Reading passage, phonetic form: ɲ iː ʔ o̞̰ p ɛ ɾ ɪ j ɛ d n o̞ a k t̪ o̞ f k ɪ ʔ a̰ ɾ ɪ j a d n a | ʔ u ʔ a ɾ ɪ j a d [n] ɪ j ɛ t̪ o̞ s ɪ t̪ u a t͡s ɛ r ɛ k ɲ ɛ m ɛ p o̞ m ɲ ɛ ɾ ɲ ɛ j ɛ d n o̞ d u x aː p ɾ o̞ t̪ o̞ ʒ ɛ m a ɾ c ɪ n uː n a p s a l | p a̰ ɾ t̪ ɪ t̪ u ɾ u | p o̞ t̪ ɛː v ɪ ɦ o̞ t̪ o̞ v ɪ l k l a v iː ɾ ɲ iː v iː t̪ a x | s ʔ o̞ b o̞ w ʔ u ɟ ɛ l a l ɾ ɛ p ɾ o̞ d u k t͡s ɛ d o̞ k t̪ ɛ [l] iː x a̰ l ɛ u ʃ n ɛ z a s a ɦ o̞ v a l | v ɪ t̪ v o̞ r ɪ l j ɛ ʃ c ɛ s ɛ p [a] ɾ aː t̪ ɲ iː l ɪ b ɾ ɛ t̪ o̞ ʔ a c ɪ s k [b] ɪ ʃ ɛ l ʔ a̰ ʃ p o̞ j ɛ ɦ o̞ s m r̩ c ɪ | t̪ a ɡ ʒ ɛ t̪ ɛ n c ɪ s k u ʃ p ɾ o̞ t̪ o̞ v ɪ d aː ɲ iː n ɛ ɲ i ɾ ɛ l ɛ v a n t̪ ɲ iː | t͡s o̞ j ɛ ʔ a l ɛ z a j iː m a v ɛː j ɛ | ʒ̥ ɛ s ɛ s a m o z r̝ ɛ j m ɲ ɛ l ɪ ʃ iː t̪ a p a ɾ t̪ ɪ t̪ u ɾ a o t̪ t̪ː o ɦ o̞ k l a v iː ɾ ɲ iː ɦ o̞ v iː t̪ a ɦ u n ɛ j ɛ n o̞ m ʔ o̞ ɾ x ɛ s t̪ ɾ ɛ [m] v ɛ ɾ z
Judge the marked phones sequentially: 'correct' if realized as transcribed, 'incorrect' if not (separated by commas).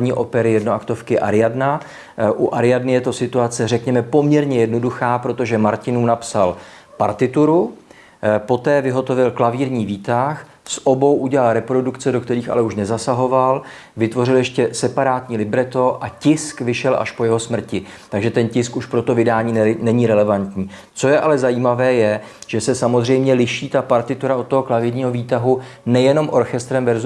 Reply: correct, incorrect, correct, incorrect, correct